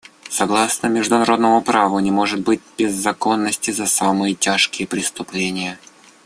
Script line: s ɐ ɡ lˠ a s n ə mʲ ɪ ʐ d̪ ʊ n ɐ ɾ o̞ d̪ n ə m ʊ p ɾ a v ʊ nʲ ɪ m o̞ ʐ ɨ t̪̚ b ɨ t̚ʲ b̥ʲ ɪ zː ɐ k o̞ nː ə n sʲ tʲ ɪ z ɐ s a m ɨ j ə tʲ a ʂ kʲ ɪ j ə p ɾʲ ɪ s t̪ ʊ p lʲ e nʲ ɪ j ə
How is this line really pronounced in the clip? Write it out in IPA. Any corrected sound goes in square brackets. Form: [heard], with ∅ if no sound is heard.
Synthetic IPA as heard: s ɐ ɡ lˠ a s n ə mʲ ɪ ʐ d̪ ʊ n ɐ ɾ o̞ d̪ n ə m ʊ p ɾ a v ʊ nʲ ɪ m o̞ ʐ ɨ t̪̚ b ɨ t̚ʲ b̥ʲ ɪ zː ɐ k o̞ nː ə [∅] sʲ tʲ ɪ z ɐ s a m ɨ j ə tʲ a ʂ kʲ ɪ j ə p ɾʲ ɪ s t̪ ʊ p lʲ e nʲ ɪ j ə